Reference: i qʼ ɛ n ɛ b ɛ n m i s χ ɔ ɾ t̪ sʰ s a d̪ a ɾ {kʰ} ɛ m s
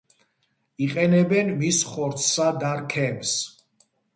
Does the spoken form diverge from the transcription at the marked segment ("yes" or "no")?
no